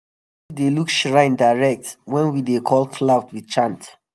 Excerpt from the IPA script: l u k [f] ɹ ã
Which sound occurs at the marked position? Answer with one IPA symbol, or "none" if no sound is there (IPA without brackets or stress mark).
ʃ